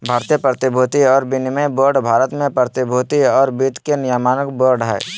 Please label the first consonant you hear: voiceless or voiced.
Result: voiced